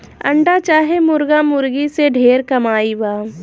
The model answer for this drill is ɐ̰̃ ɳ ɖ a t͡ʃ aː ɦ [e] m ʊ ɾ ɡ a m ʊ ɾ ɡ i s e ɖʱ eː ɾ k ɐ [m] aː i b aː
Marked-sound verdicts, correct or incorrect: correct, correct

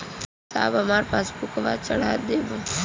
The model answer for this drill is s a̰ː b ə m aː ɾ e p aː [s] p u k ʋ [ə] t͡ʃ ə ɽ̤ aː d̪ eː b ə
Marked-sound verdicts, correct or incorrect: correct, incorrect: a

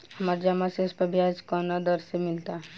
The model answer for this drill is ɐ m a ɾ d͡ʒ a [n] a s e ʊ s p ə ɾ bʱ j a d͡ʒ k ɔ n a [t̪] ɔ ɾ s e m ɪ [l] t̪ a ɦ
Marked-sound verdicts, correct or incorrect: incorrect: m, incorrect: d̪, correct

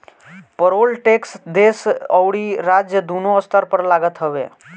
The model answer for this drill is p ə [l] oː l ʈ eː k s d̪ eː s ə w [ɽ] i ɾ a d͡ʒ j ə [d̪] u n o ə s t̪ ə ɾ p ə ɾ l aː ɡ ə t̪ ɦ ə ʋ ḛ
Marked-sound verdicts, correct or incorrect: incorrect: ɾ, correct, correct

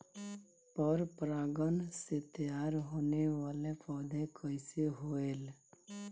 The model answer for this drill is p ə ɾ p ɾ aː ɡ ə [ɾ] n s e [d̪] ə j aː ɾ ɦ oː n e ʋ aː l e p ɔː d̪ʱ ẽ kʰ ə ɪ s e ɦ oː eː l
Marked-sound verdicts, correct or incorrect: incorrect: none, incorrect: t̪

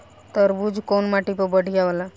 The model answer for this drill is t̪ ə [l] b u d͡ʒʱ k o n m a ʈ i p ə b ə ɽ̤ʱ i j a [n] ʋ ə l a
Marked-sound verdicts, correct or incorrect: incorrect: ɾ, incorrect: none

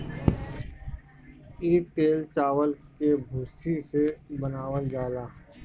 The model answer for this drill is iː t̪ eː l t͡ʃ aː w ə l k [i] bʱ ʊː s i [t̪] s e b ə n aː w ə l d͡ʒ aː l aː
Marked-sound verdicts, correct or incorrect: incorrect: e, incorrect: none

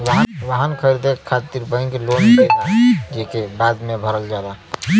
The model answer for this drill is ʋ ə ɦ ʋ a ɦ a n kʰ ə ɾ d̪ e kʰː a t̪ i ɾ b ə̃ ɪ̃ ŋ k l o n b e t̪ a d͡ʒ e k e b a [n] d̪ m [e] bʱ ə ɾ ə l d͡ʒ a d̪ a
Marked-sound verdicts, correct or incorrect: incorrect: none, correct

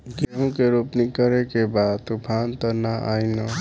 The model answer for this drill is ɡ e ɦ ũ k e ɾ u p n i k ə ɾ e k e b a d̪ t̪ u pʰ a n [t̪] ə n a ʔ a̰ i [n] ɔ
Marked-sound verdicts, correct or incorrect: correct, correct

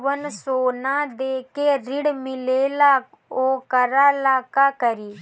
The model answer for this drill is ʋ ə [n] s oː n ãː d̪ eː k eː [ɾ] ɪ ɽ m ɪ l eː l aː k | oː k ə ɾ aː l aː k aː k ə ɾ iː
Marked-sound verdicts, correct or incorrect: correct, correct

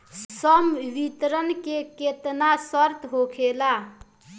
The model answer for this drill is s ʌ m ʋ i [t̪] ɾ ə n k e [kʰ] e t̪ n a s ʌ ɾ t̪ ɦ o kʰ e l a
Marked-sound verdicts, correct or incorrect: correct, incorrect: k

